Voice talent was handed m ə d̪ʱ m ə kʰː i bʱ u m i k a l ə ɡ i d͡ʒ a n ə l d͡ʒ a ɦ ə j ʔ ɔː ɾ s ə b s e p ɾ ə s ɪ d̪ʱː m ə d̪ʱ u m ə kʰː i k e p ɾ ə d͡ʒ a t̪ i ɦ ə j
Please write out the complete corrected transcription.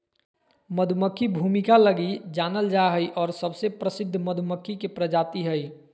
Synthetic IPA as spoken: m ə d̪ʱ m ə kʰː i bʱ u m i k a l ə ɡ i d͡ʒ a n ə l d͡ʒ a ɦ ə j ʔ ɔː ɾ s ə b s e p ɾ ə s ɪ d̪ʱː m ə d̪ʱ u m ə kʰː i k e p ɾ ə d͡ʒ a t̪ i ɦ ə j